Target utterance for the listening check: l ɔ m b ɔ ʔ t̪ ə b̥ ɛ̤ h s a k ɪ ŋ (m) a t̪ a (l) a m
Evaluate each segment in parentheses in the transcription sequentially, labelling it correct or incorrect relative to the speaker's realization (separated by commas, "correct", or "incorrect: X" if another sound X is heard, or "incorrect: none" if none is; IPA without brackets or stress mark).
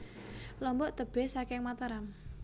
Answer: correct, incorrect: ɾ